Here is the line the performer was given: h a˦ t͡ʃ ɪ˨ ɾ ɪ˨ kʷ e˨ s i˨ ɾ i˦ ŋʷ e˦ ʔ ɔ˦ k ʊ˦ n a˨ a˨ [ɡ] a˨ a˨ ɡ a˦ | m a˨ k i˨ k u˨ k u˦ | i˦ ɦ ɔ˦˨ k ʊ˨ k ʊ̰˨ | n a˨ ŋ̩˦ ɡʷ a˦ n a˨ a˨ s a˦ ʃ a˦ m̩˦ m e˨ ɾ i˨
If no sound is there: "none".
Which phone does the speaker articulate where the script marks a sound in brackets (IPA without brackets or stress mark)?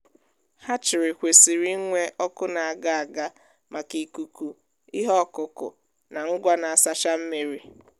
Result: ɡ